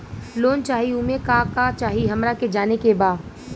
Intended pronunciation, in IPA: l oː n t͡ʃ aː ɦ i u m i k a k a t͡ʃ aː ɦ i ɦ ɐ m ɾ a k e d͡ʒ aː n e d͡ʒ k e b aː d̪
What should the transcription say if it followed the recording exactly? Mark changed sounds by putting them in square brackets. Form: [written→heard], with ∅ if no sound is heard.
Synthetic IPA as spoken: l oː n t͡ʃ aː ɦ i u m [i→e] k a k a t͡ʃ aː ɦ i ɦ ɐ m ɾ a k e d͡ʒ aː n e [d͡ʒ→∅] k e b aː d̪